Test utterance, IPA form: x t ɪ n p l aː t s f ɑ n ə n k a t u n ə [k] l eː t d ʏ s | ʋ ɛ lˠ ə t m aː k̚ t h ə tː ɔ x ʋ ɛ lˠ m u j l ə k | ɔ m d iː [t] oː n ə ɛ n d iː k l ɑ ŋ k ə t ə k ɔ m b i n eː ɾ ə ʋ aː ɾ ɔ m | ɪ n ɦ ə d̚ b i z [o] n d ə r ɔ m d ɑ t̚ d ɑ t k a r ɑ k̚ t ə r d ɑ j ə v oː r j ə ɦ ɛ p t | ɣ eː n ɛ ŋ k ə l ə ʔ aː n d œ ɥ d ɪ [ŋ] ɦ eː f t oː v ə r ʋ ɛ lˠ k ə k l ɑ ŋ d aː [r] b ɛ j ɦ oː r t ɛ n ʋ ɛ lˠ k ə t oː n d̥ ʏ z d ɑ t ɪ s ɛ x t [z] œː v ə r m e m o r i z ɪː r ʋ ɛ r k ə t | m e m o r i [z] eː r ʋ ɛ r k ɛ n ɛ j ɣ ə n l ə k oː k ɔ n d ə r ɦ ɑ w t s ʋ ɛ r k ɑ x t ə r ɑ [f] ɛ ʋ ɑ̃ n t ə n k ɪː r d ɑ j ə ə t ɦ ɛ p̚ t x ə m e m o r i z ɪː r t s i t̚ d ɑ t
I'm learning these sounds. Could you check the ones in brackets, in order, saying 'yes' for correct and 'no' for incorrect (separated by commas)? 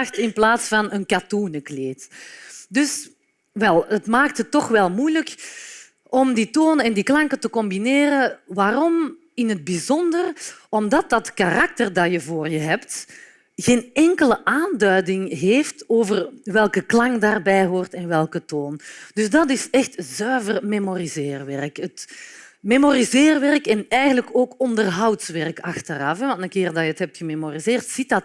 yes, yes, no, yes, yes, yes, yes, yes